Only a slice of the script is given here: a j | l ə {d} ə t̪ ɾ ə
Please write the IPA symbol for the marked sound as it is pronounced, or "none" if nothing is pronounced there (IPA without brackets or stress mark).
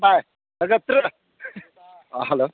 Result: ɡ